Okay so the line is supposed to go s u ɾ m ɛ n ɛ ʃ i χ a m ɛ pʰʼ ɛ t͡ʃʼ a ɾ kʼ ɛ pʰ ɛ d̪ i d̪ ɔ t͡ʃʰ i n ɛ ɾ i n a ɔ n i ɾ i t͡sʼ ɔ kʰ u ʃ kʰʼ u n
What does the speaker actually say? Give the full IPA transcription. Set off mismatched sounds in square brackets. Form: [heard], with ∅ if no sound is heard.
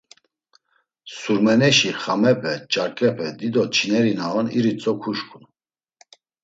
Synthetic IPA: s u ɾ m ɛ n ɛ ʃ i χ a m ɛ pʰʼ ɛ t͡ʃʼ a ɾ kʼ ɛ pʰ ɛ d̪ i d̪ ɔ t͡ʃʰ i n ɛ ɾ i n a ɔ n i ɾ i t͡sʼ ɔ kʰ u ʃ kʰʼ u n

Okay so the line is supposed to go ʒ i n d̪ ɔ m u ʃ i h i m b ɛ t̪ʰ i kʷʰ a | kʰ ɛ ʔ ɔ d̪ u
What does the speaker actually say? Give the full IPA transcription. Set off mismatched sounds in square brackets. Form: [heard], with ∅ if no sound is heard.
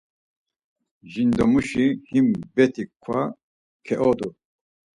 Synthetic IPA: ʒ i n d̪ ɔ m u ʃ i h i m b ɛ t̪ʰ i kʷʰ a | kʰ ɛ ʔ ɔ d̪ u

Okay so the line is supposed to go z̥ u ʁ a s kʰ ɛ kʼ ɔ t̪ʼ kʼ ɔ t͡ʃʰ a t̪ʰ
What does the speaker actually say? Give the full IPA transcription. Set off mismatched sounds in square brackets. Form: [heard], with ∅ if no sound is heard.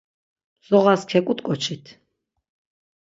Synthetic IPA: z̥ [ɔ] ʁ a s kʰ ɛ kʼ [u] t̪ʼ kʼ ɔ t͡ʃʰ [i] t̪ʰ

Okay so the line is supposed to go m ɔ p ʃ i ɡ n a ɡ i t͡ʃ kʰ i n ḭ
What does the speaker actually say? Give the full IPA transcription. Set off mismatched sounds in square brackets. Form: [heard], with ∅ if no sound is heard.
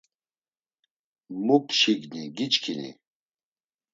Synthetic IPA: m [u] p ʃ i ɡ n [i] ɡ i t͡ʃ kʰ i n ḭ

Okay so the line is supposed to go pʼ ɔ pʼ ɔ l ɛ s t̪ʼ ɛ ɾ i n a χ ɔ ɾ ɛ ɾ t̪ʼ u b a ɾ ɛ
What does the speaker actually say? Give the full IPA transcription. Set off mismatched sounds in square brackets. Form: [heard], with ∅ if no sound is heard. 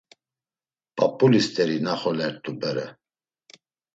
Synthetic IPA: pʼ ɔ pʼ [u] l [i] s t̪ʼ ɛ ɾ i n a χ ɔ [l] ɛ ɾ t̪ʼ u b [ɛ] ɾ ɛ

